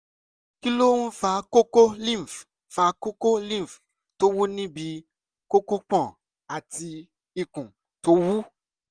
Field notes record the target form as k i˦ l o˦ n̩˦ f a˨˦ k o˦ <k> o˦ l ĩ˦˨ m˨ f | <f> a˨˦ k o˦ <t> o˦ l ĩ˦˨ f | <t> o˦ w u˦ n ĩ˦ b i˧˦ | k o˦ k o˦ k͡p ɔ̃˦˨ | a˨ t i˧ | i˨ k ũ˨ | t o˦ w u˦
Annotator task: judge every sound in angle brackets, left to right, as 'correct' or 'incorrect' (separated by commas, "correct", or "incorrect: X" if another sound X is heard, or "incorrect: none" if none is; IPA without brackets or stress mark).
correct, correct, incorrect: k, correct